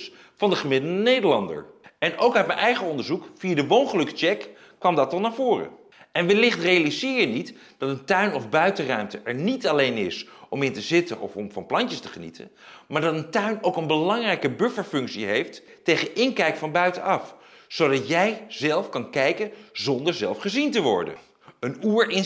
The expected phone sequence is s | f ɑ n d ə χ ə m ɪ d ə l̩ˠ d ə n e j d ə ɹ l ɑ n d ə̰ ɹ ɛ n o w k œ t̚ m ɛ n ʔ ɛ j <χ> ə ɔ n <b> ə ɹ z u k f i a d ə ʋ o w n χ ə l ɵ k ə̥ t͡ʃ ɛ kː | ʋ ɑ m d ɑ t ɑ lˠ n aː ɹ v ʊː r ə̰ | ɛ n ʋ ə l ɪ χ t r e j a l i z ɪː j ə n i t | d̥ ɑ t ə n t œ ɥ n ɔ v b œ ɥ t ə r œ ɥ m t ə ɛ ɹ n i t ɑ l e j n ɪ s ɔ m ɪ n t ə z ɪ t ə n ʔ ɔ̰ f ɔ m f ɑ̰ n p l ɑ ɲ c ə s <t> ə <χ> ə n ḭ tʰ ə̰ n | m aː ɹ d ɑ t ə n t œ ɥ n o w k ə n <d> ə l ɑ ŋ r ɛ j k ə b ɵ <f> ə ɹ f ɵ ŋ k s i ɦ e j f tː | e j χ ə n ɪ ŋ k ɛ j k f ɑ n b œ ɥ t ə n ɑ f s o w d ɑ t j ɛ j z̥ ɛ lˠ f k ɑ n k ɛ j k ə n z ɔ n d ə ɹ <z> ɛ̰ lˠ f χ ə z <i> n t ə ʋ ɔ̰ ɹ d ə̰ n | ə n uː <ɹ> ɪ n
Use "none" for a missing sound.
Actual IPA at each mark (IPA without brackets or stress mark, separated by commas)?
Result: χ, d, t, χ, b, f, z, i, ɹ